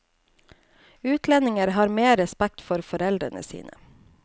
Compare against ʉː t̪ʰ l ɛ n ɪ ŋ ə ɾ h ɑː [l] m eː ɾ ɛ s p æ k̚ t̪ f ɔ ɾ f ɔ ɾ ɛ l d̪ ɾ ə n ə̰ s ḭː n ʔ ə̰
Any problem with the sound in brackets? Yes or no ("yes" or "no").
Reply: yes